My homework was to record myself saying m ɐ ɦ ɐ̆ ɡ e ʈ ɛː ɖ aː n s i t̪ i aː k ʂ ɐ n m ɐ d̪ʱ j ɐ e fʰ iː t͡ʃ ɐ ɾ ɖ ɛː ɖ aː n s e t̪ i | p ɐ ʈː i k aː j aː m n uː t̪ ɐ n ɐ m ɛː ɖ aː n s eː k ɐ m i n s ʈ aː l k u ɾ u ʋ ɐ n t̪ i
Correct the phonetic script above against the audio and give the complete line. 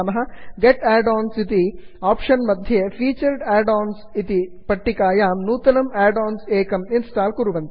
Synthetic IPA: m ɐ ɦ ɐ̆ ɡ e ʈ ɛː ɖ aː n s i t̪ i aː p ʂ ɐ n m ɐ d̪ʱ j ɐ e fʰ iː t͡ʃ ɐ ɾ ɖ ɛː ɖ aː n s i t̪ i | p ɐ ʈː i k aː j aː m n uː t̪ ɐ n ɐ m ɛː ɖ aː n s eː k ɐ m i n s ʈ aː l k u ɾ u ʋ ɐ n t̪ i